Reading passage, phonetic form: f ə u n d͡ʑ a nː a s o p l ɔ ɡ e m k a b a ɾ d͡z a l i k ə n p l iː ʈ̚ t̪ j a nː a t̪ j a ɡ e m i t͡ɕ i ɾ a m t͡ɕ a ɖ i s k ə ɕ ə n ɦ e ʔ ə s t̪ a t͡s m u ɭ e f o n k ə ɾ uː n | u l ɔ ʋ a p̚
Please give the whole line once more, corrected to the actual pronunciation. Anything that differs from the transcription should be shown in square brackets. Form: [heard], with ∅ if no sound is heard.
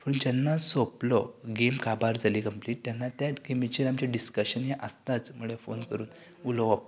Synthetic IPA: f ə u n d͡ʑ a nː a s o p l ɔ ɡ e m k a b a ɾ d͡z a l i k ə [m] p l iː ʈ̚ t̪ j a nː a t̪ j a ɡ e m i t͡ɕ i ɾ a m t͡ɕ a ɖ i s k ə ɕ ə n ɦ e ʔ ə s t̪ a t͡s m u ɭ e f o n k ə ɾ uː n | u l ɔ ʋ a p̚